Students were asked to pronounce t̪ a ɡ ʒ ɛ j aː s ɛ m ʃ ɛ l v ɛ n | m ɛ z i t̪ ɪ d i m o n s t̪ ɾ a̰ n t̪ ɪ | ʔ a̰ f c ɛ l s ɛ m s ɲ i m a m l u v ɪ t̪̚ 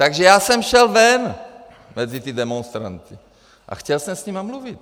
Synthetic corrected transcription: t̪ a ɡ ʒ ɛ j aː s ɛ m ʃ ɛ l v ɛ n | m ɛ z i t̪ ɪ d ɛ m o n s t̪ ɾ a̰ n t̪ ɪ | ʔ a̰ x c ɛ l s ɛ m s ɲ i m a m l u v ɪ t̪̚